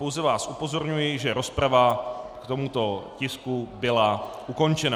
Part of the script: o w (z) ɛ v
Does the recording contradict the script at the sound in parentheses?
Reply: no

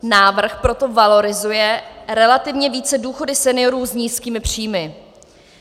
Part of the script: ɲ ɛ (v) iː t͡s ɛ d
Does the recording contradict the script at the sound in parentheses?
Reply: no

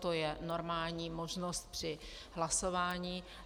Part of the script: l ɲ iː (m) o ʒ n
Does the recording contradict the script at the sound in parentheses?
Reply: no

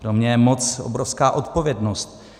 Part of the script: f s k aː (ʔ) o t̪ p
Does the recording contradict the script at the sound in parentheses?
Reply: no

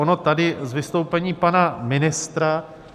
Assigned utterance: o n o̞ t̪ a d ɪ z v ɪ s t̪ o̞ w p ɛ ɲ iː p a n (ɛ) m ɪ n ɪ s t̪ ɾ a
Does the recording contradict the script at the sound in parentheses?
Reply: yes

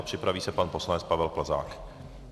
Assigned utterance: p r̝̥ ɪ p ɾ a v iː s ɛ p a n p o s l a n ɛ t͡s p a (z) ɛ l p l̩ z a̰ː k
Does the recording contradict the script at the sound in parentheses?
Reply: yes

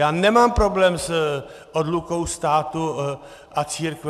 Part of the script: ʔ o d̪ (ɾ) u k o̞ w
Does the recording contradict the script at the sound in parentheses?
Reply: yes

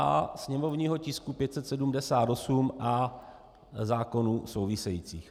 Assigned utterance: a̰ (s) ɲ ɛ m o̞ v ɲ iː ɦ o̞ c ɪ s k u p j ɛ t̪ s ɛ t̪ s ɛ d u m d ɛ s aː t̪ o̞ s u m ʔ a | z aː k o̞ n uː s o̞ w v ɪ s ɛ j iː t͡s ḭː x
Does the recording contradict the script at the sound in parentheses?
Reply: no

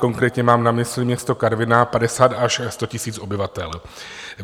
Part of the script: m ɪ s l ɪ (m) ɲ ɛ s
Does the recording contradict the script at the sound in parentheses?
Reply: no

